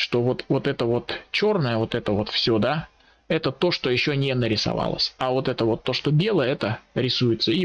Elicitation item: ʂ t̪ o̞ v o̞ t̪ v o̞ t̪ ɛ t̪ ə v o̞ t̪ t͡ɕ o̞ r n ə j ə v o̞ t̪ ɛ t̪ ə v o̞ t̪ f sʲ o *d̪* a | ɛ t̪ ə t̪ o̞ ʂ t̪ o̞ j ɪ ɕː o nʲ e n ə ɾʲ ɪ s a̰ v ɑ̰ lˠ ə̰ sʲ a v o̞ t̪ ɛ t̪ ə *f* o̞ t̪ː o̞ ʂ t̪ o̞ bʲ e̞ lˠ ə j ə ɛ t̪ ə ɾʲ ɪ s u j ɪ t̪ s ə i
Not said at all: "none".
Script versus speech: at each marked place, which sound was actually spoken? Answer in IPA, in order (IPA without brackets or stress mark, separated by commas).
d̪, v